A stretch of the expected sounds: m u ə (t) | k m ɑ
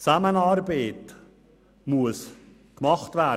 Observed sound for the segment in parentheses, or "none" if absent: s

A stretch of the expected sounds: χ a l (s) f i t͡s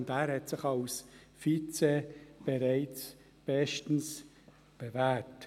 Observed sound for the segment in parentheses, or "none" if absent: s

